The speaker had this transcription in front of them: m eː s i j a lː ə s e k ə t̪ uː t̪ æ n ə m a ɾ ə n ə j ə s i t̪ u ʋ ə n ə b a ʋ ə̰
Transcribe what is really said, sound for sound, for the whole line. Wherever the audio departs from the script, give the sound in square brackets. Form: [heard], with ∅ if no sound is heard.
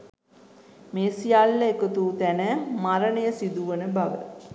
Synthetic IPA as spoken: m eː s i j a lː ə [∅] e k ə t̪ uː t̪ æ n ə m a ɾ ə n ə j ə s i [d̪] u ʋ ə n ə b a ʋ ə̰